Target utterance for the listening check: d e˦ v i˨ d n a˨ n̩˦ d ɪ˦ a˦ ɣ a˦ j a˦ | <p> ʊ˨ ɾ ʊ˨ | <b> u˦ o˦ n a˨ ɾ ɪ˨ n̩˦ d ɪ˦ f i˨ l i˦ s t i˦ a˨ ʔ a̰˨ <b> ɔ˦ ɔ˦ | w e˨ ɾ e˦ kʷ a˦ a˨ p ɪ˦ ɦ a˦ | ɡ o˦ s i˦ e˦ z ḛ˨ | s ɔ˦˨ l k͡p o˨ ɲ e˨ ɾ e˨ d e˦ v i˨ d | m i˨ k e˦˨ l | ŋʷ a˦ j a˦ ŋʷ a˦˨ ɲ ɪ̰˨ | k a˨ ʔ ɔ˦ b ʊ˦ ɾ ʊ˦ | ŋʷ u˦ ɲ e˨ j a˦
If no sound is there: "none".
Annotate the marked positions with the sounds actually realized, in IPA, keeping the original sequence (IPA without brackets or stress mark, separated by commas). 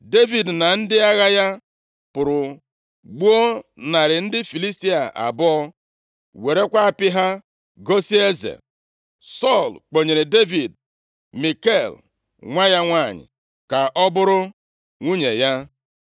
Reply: p, ɡ͡b, b